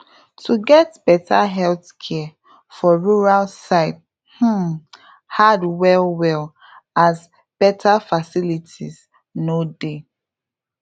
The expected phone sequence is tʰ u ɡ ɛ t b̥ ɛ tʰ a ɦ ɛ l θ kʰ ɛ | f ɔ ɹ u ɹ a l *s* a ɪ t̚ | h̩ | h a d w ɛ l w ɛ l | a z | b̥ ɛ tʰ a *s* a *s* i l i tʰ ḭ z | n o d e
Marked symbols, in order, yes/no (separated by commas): yes, no, yes